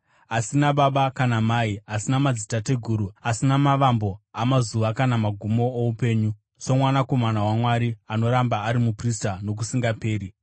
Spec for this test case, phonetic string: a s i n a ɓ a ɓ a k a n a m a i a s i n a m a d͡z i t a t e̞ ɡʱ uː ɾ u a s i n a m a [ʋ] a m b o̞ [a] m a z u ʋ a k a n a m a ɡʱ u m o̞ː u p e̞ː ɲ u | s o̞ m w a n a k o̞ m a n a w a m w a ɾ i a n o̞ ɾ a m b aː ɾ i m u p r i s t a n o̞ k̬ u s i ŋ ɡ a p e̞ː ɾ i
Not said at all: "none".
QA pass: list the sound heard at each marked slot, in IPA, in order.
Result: ʋ, a

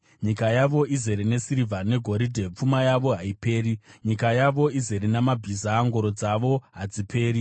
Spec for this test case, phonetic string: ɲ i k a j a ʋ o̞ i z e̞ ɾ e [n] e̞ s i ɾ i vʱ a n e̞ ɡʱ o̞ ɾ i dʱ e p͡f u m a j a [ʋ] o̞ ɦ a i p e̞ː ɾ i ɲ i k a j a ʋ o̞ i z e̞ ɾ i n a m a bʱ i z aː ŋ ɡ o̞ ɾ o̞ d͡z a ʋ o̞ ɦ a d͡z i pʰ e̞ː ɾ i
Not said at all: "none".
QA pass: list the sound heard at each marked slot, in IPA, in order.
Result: n, ʋ

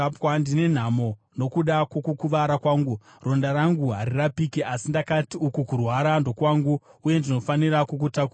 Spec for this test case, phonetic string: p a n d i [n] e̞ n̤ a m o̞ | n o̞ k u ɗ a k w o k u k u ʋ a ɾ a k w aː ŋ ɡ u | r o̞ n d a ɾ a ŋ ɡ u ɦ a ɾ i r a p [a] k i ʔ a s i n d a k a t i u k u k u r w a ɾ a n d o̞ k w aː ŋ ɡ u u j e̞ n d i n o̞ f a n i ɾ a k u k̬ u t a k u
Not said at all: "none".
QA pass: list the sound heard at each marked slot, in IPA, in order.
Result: n, i

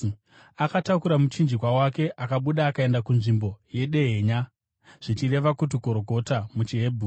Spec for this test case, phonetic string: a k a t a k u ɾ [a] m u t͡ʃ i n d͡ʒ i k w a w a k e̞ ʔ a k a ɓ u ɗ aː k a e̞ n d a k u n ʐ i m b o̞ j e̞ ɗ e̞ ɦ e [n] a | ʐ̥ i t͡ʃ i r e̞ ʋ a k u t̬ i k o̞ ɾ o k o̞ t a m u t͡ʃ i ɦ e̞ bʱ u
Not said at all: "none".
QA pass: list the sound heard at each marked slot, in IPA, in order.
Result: a, ɲ

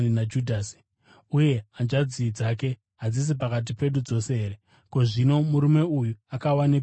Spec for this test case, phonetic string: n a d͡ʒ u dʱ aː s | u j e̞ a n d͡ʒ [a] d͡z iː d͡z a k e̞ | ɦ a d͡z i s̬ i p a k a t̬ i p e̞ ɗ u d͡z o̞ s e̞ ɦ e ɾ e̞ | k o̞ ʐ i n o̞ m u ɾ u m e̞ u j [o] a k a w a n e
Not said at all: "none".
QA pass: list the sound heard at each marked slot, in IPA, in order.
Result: a, u

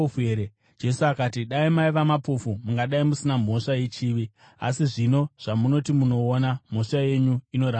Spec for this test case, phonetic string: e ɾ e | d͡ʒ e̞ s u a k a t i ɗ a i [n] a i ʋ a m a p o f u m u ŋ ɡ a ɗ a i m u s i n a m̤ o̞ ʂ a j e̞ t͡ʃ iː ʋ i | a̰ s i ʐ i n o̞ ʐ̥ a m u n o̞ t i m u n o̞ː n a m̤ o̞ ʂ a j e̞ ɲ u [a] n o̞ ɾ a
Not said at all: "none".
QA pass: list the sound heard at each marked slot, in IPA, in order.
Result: m, i

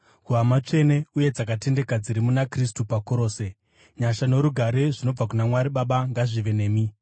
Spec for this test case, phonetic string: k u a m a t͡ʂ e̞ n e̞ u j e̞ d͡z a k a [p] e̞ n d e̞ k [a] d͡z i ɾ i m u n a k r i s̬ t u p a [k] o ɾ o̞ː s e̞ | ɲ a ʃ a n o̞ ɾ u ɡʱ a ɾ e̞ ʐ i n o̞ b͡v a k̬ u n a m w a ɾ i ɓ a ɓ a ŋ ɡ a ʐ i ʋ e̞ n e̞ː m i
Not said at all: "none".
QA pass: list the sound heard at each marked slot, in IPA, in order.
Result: t, a, k

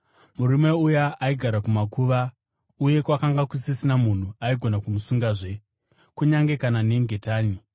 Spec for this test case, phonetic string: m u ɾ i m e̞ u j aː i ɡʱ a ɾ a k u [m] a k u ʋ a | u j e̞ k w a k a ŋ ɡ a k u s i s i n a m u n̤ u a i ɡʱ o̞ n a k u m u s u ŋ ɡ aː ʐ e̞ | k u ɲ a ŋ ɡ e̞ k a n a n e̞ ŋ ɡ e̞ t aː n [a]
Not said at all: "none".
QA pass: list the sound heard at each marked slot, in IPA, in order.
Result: m, i

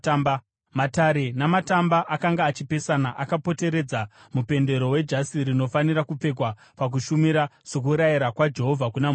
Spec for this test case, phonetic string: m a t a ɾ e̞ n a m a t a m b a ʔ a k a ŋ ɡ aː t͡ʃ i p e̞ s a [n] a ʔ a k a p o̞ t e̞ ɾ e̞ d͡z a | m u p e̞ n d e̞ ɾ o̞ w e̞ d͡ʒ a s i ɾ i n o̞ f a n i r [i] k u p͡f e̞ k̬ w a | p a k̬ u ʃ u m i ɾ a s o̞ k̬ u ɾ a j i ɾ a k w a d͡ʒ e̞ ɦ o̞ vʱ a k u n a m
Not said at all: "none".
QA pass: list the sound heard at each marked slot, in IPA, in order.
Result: n, a

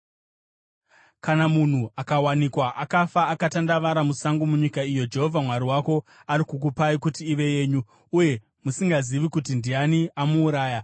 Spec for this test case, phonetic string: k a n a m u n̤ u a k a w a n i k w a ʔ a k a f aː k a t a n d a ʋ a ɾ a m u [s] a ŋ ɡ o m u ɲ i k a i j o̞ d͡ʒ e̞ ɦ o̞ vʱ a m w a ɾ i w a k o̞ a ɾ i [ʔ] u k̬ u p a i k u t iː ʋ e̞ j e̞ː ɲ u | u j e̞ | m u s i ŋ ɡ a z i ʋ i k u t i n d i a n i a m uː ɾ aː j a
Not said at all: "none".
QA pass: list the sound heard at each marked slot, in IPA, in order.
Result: s, k

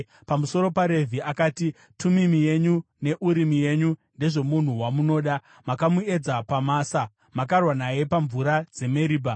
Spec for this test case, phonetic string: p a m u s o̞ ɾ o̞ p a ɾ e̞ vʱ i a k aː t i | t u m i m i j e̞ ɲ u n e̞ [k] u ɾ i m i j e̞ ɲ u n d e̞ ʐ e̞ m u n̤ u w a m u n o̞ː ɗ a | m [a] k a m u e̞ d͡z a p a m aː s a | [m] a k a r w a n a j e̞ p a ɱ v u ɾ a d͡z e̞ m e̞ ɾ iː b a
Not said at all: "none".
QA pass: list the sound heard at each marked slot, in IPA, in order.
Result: ʔ, a, m

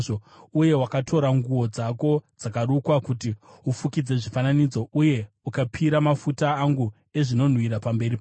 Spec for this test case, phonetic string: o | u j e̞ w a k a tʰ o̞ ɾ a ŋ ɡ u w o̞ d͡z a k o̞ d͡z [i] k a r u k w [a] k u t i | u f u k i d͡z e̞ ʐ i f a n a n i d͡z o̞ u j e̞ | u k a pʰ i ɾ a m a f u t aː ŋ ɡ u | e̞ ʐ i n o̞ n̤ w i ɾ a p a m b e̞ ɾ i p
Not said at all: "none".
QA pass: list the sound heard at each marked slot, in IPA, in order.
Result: a, a

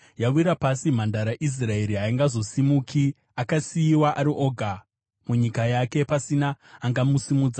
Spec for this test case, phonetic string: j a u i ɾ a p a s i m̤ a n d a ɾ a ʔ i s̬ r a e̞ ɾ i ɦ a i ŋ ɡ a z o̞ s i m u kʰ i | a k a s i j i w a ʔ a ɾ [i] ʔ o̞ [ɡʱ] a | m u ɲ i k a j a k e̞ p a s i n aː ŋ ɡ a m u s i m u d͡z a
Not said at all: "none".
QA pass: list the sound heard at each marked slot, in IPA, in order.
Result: i, ɡʱ

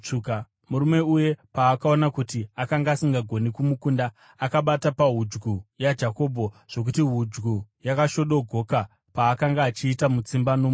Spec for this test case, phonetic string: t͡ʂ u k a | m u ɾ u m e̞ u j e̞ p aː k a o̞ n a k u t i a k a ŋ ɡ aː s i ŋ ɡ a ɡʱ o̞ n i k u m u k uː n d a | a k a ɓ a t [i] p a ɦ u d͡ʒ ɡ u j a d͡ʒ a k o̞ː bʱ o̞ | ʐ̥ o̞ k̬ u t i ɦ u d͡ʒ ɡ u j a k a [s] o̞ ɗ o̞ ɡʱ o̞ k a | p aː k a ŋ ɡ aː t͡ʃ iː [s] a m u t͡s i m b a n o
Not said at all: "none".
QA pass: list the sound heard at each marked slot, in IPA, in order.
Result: a, ʃ, t

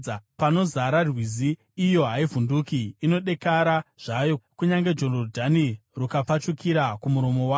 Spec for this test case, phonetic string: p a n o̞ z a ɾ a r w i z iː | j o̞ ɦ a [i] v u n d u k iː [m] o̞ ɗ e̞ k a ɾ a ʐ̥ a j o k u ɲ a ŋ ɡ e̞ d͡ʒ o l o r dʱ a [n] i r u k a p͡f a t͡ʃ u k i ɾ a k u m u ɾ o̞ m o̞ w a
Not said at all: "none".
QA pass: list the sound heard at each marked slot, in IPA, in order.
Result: i, n, n

